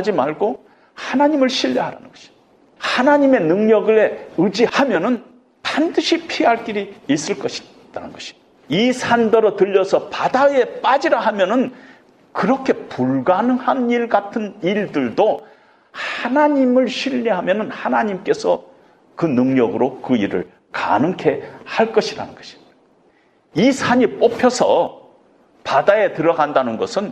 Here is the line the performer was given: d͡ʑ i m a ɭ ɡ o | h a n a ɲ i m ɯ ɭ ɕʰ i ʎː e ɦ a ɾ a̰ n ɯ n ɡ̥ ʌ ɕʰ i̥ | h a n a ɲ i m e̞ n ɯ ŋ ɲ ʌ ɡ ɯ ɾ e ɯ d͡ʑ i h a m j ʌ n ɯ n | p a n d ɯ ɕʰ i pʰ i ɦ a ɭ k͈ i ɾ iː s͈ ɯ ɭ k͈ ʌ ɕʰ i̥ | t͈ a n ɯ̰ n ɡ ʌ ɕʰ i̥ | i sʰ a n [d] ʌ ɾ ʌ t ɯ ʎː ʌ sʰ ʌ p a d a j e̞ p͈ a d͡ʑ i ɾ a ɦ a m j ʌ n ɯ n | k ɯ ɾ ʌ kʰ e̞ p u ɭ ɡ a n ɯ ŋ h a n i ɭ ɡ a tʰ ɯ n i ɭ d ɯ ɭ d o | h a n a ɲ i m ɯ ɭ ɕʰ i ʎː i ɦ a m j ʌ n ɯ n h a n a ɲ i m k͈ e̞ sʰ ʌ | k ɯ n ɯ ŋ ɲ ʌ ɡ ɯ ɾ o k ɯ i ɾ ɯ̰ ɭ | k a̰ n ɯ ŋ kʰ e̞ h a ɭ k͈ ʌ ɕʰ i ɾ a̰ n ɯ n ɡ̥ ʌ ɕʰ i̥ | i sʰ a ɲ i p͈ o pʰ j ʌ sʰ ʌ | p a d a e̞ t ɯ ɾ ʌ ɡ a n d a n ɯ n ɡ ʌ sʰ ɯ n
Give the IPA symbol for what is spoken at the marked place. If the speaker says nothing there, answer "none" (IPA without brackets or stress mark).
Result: d